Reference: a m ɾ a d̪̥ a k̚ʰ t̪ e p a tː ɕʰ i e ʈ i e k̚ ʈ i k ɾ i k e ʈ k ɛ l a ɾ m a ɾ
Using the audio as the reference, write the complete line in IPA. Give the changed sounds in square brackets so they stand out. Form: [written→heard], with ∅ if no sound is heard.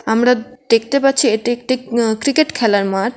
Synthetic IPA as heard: a m ɾ a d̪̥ [a→e] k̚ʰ t̪ e p a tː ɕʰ i e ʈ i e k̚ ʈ i k ɾ i k e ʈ [k→kʰ] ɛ l a ɾ m a ɾ